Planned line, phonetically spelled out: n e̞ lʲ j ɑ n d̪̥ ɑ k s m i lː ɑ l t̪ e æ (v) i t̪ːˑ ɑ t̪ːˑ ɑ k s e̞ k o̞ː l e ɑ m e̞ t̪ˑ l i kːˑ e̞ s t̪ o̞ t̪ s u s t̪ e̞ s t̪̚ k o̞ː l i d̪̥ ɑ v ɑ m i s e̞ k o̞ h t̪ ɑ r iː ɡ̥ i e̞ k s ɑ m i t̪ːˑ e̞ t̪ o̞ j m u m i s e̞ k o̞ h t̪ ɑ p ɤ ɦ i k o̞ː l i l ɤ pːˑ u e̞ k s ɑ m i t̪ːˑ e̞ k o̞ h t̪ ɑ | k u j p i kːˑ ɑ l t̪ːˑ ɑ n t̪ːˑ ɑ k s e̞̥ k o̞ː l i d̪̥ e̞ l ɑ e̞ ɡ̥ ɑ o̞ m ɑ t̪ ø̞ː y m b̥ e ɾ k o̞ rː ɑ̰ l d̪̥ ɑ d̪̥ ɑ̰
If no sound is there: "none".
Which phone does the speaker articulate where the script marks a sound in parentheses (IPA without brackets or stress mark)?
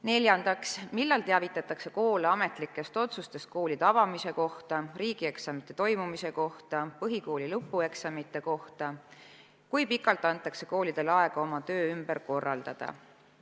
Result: v